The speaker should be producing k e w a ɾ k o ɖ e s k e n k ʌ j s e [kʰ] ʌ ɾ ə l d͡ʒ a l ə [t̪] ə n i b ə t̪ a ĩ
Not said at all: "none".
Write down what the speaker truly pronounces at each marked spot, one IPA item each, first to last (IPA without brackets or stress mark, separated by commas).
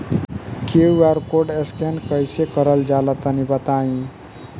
k, t̪